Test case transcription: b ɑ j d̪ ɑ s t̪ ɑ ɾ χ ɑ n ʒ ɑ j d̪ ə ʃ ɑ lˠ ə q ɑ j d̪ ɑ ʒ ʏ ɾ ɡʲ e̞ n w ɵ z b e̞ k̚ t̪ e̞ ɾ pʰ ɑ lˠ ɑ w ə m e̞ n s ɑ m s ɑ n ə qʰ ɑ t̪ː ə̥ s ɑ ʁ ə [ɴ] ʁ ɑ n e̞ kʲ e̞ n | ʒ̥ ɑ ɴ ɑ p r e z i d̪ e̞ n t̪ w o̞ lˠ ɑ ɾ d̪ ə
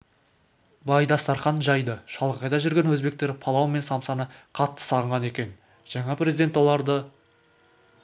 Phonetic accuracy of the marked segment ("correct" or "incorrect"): correct